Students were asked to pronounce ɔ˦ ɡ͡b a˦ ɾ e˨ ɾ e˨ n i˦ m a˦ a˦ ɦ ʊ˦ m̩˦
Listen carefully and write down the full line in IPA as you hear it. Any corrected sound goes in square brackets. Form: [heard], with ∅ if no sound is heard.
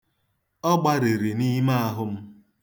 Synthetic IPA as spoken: ɔ˦ ɡ͡b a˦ ɾ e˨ ɾ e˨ n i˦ m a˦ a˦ ɦ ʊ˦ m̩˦